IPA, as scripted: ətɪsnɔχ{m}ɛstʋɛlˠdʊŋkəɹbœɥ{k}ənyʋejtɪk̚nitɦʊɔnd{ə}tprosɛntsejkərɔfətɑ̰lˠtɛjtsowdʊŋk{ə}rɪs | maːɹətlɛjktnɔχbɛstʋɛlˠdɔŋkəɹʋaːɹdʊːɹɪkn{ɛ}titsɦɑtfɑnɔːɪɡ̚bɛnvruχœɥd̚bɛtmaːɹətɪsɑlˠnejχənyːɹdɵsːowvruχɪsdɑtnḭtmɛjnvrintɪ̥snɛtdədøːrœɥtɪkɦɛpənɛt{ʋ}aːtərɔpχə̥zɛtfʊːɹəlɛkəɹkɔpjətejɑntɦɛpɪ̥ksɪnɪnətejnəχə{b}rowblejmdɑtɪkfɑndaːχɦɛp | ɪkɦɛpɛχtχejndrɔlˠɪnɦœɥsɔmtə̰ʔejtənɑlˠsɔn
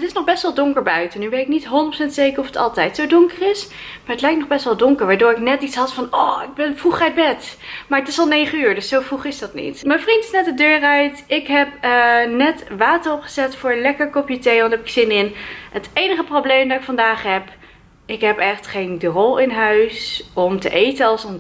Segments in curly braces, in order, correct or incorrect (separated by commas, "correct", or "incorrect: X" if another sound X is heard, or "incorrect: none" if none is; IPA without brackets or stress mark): incorrect: b, incorrect: t, correct, correct, correct, correct, incorrect: p